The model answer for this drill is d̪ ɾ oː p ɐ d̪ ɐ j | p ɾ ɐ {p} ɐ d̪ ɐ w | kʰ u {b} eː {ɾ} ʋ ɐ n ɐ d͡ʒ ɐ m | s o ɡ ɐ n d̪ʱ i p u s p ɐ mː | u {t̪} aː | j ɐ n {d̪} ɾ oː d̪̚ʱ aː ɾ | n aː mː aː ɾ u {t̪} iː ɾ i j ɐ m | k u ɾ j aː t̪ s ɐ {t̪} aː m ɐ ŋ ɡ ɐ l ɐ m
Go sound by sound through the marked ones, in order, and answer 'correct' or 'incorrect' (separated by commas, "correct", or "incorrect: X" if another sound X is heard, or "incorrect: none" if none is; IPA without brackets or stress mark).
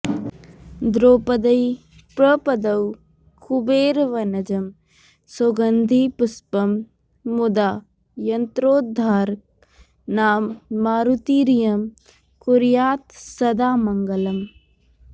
correct, correct, correct, incorrect: d̪, incorrect: t̪, correct, incorrect: d̪